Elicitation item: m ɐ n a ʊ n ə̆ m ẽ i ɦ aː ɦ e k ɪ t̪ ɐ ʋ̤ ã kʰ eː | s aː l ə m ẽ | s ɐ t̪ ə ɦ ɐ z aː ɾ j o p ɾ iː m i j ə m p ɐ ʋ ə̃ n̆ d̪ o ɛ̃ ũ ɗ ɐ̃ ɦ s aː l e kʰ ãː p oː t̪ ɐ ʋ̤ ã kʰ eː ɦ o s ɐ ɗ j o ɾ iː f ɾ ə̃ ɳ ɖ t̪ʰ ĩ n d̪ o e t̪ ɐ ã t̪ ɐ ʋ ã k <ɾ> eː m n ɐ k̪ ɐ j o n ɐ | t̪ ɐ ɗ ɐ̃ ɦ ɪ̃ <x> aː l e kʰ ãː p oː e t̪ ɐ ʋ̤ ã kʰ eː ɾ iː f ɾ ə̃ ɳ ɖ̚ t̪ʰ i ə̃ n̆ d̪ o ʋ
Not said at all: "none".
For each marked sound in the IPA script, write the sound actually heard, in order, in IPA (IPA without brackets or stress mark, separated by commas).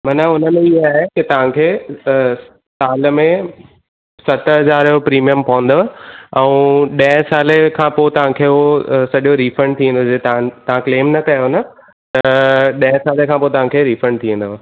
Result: l, s